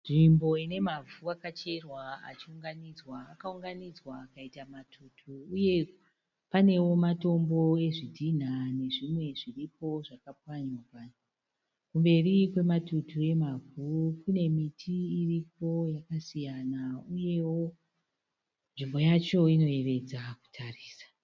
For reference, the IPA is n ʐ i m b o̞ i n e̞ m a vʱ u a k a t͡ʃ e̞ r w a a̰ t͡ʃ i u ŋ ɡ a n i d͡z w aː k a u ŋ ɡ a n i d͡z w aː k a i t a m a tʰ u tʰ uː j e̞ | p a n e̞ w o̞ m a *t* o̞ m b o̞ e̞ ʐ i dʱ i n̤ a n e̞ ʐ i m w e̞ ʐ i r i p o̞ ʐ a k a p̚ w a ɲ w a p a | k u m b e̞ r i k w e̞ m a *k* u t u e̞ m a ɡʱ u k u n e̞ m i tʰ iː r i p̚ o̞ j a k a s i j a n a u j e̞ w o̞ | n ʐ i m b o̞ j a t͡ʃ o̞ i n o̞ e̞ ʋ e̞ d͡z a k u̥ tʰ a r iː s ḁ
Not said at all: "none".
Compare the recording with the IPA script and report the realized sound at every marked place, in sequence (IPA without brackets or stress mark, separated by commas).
t, t